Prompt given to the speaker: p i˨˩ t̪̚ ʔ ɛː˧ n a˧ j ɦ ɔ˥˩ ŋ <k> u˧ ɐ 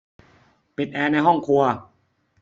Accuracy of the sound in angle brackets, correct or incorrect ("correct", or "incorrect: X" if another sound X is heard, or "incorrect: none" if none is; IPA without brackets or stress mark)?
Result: incorrect: kʰ